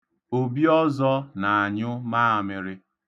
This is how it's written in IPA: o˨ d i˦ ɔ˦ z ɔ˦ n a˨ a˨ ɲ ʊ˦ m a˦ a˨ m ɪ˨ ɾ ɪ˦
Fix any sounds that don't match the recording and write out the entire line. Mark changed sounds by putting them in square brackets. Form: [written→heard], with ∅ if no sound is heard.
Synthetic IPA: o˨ [d→b] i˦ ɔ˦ z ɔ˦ n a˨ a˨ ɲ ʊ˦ m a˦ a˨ m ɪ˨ ɾ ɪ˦